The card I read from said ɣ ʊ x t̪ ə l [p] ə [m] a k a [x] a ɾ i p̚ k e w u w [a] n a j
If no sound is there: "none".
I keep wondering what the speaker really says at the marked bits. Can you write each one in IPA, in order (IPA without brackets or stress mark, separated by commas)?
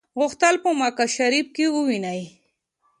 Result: p, m, ʃ, i